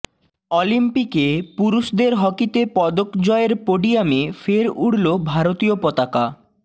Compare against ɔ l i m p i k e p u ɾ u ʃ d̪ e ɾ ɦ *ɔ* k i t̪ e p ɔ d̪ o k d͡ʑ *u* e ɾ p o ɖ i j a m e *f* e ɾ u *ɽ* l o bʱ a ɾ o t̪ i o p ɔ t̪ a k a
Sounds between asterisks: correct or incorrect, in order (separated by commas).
correct, incorrect, correct, correct